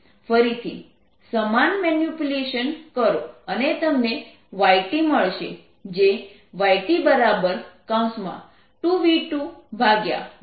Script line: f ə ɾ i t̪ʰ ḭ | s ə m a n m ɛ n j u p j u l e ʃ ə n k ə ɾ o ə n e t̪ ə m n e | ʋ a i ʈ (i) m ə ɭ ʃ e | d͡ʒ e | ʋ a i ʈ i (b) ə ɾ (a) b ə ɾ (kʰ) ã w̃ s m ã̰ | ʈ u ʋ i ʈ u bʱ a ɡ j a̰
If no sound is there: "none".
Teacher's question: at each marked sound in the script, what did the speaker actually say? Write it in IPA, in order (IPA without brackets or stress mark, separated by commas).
i, b, a, k